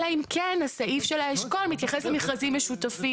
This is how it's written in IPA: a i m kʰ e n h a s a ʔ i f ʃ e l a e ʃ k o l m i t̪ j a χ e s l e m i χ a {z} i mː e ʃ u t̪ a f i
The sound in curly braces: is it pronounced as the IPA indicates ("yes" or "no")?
yes